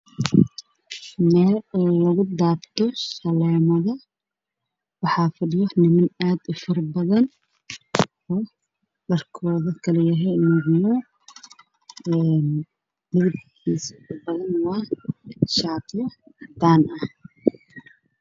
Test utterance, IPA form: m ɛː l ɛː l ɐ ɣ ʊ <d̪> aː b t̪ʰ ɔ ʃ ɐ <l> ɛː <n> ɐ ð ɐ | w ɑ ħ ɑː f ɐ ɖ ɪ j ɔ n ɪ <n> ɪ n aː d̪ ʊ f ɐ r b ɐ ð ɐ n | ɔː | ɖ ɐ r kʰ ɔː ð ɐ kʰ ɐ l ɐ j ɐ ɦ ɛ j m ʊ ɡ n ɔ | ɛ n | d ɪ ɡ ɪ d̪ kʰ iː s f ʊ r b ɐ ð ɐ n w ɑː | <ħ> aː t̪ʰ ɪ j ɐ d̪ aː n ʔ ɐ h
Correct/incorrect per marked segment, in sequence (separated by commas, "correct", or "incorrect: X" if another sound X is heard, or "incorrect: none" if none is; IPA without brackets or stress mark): correct, correct, incorrect: m, incorrect: m, incorrect: ʃ